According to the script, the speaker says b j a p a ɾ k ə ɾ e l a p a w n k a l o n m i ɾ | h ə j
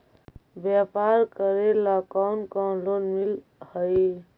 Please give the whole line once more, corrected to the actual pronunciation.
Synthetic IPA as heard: b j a p a ɾ k ə ɾ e l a k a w n k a l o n m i l | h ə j

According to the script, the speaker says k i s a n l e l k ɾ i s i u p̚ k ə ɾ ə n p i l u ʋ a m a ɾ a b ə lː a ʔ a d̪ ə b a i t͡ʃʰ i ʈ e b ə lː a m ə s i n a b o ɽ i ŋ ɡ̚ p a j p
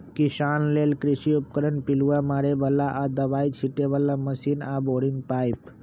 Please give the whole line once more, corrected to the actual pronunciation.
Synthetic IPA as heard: k i s a n l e l k ɾ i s i u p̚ k ə ɾ ə n p i l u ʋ a m a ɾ e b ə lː a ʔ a d̪ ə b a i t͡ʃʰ i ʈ e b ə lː a m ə s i n a b o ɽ i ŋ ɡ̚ p a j p

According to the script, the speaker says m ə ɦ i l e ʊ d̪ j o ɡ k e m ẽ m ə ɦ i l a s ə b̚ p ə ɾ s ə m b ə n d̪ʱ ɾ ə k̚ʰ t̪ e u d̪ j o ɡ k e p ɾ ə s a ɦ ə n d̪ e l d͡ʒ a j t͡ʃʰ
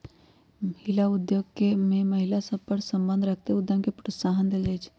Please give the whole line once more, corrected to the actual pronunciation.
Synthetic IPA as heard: m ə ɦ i l a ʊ d̪ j o ɡ k e m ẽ m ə ɦ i l a s ə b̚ p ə ɾ s ə m b ə n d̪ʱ ɾ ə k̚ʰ t̪ e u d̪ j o ɡ k e p ɾ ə s a ɦ ə n d̪ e l d͡ʒ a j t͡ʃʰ

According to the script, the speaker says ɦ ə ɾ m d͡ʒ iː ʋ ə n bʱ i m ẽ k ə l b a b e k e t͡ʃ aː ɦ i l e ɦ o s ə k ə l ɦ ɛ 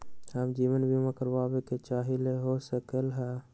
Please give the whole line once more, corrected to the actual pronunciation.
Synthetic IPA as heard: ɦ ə m d͡ʒ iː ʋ ə n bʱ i m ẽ k ə ɾ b a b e k e t͡ʃ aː ɦ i l e ɦ o s ə k ə l ɦ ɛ

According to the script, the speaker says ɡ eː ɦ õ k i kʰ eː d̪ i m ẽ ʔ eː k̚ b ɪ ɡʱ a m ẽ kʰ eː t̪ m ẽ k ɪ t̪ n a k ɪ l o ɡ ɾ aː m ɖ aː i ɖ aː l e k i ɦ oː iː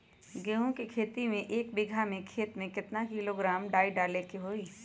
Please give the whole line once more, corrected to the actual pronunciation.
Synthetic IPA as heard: ɡ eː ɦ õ k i kʰ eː t̪ i m ẽ ʔ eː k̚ b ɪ ɡʱ a m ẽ kʰ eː t̪ m ẽ k ɪ t̪ n a k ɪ l o ɡ ɾ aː m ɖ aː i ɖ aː l e k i ɦ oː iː

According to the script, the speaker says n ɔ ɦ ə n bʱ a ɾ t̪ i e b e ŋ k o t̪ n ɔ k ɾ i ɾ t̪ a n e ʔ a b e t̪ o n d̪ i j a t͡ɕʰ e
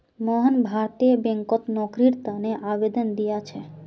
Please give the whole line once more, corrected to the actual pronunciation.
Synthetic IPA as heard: m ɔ ɦ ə n bʱ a ɾ t̪ i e b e ŋ k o t̪ n ɔ k ɾ i ɾ t̪ a n e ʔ a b e d̪ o n d̪ i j a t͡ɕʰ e

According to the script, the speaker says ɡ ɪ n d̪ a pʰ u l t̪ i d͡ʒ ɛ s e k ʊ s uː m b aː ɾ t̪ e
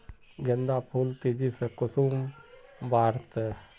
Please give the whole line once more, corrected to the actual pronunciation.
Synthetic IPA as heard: ɡ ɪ n d̪ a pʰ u l t̪ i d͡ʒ i s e k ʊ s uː m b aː ɾ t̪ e

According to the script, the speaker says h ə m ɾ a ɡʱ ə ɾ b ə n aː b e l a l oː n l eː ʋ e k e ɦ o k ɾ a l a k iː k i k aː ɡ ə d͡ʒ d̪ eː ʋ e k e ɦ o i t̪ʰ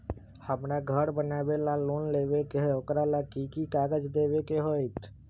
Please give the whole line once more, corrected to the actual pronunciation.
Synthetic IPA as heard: h ə m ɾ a ɡʱ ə ɾ b ə n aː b e l a l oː n l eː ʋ e k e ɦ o k ɾ a l a k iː k i k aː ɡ ə d͡ʒ d̪ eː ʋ e k e ɦ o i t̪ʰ

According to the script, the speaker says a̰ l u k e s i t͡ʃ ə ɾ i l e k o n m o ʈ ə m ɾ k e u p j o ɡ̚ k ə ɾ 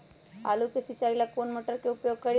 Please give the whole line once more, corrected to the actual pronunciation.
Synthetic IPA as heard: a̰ l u k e s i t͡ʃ a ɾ i l a k o n m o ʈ ə ɾ k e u p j o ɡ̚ k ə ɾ

